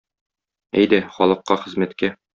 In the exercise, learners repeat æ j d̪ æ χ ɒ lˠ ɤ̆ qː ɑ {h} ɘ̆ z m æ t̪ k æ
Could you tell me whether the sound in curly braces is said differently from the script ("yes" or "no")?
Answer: yes